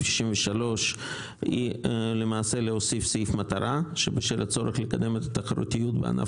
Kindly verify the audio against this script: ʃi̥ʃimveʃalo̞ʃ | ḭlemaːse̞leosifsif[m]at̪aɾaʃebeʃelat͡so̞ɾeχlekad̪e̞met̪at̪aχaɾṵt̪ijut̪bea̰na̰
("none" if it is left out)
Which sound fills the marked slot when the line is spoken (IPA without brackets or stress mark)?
m